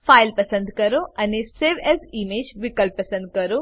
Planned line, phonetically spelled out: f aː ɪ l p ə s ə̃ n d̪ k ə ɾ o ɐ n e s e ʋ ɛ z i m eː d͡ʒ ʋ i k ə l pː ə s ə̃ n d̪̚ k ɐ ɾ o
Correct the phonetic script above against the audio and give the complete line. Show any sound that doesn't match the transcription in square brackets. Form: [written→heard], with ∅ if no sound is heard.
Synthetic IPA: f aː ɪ l p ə s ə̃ n d̪ k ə ɾ o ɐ n e s e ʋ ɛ z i m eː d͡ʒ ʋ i k ə l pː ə s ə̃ n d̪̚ k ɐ ɾ o